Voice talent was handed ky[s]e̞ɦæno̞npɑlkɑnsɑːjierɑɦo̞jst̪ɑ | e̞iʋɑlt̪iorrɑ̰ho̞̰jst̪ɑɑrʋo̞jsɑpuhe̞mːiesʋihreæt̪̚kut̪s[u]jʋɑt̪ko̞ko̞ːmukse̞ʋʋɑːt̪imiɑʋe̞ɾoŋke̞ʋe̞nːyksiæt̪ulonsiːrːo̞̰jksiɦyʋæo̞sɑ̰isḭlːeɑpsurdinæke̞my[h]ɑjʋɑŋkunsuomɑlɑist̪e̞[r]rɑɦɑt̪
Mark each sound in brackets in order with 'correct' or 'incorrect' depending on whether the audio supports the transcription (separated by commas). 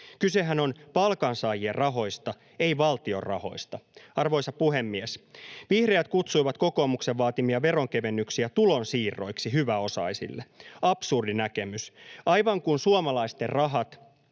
correct, correct, incorrect, correct